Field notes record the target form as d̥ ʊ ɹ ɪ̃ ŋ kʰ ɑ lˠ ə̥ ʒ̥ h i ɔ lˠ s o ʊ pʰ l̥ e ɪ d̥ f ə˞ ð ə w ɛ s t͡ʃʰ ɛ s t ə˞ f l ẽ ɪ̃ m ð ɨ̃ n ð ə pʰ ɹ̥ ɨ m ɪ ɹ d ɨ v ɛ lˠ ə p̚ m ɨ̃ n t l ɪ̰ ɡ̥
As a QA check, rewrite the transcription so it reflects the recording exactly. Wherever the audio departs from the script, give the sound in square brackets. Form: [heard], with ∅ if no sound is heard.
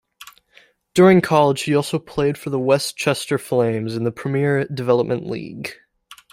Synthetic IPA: d̥ ʊ ɹ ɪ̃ ŋ kʰ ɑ lˠ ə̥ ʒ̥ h i ɔ lˠ s o ʊ pʰ l̥ e ɪ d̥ f ə˞ ð ə w ɛ s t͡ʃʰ ɛ s t ə˞ f l ẽ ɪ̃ m [z] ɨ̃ n ð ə pʰ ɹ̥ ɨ m ɪ ɹ d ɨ v ɛ lˠ ə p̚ m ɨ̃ n [ʔ] l [ḭ] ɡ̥